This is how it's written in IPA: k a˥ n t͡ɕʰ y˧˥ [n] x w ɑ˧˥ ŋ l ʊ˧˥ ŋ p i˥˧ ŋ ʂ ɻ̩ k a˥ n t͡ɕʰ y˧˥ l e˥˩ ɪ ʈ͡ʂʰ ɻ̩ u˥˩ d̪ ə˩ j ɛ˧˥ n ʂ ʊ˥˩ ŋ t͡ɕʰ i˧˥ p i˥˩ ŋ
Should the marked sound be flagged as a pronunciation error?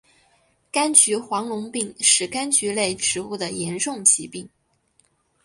yes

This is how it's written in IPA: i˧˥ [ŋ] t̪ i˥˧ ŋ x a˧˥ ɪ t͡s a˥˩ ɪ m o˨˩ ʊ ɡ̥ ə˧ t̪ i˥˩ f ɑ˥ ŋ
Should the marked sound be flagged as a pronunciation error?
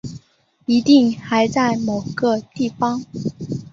yes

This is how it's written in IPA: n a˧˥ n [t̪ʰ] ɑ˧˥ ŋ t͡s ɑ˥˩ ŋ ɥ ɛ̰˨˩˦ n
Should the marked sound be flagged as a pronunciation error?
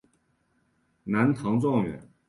no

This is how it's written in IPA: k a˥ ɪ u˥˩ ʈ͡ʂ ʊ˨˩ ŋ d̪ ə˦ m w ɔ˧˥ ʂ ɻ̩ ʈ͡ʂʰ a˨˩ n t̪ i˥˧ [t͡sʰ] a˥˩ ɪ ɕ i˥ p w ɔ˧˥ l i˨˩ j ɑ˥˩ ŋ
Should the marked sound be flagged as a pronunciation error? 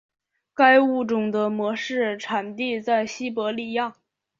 yes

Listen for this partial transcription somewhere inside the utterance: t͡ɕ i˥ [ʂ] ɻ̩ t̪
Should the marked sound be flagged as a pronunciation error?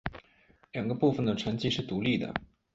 no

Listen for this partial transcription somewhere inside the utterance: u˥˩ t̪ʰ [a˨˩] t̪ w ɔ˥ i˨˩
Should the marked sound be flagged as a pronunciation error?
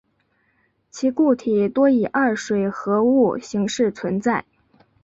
yes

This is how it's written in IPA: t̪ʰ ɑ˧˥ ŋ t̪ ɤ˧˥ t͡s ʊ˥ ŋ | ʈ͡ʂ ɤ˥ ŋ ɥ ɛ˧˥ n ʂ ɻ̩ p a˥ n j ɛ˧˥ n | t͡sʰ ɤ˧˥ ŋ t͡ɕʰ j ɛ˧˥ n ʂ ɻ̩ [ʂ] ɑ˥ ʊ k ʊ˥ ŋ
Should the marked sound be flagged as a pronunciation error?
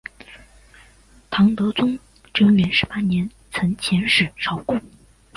no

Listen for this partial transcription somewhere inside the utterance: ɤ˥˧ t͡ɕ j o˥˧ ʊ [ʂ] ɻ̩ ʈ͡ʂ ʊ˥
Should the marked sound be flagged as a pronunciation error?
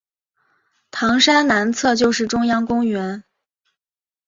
no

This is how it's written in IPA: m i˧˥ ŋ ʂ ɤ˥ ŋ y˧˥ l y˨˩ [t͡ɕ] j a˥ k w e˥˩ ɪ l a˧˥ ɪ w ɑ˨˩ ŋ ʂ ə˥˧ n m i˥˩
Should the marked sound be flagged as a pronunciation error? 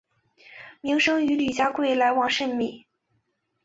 no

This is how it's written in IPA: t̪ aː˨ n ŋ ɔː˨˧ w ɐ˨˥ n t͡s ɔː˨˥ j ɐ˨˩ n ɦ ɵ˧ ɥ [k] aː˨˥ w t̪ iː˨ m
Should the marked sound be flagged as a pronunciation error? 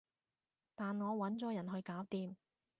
no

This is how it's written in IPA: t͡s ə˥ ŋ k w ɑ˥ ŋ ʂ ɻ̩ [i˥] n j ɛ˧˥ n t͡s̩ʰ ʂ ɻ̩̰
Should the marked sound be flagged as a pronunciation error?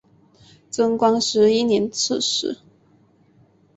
no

